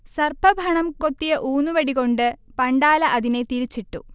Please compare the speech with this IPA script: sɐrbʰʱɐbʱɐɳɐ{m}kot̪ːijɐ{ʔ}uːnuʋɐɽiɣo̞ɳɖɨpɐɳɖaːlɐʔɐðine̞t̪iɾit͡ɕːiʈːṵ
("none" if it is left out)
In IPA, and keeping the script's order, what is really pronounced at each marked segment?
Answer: m, ʔ

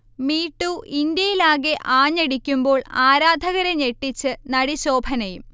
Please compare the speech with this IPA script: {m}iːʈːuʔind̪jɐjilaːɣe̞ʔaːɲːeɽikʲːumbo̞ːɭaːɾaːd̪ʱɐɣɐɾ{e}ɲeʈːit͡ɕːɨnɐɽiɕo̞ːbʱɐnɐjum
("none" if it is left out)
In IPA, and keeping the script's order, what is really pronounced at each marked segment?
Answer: m, e

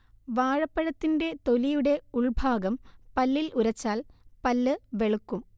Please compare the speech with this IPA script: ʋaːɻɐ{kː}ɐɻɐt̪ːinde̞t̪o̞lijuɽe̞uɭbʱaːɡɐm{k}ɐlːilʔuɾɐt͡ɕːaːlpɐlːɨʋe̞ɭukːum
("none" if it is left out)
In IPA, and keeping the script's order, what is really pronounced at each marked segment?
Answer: pː, p

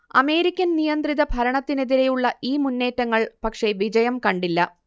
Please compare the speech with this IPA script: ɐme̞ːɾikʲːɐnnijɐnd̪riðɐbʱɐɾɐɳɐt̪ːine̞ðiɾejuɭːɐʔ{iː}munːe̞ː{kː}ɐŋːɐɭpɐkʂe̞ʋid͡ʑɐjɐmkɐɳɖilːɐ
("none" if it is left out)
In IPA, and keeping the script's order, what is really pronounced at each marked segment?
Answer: iː, tː

